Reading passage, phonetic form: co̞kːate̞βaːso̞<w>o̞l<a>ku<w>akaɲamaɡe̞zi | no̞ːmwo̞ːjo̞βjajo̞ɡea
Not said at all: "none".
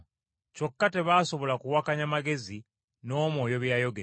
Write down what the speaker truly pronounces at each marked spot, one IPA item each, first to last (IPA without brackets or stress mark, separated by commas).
β, a, w